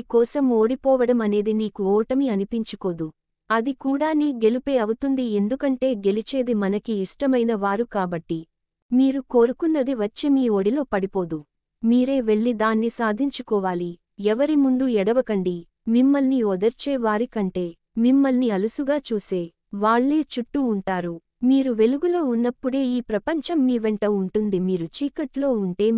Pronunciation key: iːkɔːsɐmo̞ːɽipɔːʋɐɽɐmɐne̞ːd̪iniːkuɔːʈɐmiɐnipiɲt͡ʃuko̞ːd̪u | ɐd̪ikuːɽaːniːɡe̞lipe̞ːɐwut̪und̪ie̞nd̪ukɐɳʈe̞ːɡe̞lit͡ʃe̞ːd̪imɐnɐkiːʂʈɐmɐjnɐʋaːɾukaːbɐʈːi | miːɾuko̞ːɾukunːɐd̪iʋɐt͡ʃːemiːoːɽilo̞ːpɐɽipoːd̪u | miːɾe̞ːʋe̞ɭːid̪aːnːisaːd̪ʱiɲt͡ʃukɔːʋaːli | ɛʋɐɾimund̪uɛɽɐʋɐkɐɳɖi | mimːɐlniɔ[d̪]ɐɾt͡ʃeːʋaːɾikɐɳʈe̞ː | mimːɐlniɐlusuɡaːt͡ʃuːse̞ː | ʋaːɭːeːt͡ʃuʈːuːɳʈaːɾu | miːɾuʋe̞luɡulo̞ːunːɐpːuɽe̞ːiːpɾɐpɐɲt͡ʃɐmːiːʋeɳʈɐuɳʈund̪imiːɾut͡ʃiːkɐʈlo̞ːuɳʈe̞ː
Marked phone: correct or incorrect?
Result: correct